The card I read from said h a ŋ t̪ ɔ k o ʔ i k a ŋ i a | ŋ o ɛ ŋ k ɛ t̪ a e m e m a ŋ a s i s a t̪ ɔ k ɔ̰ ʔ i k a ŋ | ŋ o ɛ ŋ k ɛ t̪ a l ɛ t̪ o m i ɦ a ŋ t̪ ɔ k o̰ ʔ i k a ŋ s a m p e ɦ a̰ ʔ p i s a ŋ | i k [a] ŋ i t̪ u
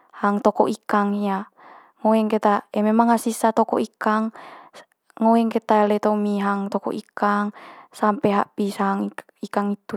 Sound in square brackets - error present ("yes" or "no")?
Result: no